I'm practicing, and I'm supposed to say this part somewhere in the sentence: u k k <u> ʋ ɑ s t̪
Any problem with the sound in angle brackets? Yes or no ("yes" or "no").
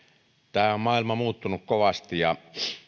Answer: yes